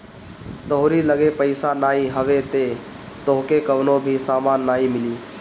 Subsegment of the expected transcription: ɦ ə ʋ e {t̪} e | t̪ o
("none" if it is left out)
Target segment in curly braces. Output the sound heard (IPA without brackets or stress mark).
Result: t̪